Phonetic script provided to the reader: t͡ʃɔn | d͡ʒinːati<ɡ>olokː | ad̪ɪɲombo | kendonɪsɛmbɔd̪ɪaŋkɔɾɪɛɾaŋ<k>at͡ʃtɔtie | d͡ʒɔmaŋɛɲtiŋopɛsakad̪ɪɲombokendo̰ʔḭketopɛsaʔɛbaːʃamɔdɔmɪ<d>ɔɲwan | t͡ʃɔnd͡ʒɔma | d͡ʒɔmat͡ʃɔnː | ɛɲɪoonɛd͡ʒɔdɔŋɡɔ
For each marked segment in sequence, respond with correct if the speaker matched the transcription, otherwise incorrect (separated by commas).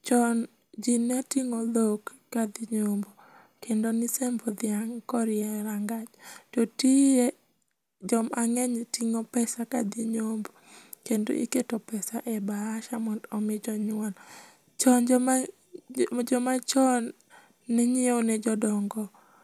incorrect, incorrect, incorrect